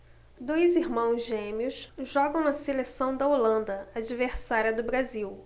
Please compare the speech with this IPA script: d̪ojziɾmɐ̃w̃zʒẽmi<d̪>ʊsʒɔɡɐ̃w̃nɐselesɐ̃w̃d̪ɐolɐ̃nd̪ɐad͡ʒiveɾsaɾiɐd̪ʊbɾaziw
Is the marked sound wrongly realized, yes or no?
yes